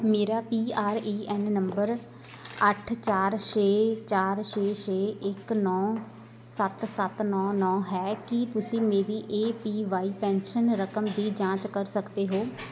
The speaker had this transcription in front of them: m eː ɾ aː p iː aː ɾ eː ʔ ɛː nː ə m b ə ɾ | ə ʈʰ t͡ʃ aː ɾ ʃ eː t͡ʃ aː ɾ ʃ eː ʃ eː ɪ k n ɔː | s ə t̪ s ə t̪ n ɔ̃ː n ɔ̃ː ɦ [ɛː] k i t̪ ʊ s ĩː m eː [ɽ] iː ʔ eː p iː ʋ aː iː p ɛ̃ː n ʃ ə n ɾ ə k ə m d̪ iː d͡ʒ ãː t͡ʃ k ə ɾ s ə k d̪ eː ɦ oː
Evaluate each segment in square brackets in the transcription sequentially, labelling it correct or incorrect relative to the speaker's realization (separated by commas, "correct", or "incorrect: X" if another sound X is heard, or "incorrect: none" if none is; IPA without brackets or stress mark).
correct, incorrect: ɾ